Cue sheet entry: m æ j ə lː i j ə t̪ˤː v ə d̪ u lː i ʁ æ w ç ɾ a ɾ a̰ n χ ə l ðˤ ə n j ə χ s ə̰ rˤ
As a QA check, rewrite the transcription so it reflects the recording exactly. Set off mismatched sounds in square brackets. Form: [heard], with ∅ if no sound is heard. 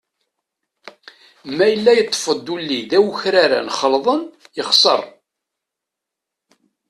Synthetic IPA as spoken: m æ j ə lː [æ] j ə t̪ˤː [f] ə d̪ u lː i [ð] æ w ç ɾ a ɾ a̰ n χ ə l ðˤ ə n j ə χ s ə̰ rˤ